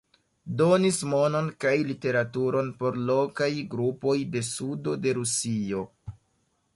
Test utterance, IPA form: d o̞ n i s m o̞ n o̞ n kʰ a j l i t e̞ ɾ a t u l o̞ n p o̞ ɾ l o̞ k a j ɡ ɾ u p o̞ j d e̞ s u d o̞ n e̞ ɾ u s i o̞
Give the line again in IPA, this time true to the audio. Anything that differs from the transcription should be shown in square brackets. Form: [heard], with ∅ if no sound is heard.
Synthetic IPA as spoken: d o̞ n i s m o̞ n o̞ n [k] a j l i t e̞ ɾ a t u [ɾ] o̞ n p o̞ ɾ l o̞ k a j ɡ ɾ u p o̞ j d e̞ s u d o̞ [d] e̞ ɾ u s i o̞